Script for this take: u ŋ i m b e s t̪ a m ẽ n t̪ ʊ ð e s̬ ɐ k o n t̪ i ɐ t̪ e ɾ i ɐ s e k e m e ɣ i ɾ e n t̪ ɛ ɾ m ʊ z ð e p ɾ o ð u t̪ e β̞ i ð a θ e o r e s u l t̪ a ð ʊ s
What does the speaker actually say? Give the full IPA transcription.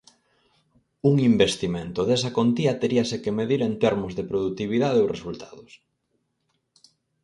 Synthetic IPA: u ŋ i m b e s t̪ i m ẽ n t̪ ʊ ð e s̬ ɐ k o n t̪ i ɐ t̪ e ɾ i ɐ s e k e m e ð i ɾ e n t̪ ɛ ɾ m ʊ z ð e p ɾ o ð u t̪ i β̞ i ð a ð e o r e s u l t̪ a ð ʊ s